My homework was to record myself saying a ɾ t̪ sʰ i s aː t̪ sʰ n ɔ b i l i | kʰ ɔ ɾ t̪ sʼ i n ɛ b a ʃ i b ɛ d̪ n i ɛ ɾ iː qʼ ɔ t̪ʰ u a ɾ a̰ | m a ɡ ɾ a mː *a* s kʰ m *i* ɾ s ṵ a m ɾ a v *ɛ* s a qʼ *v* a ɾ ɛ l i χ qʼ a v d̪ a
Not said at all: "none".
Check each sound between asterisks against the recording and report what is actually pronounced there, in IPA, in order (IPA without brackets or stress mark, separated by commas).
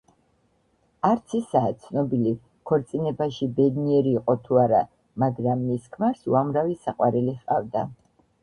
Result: i, a, i, w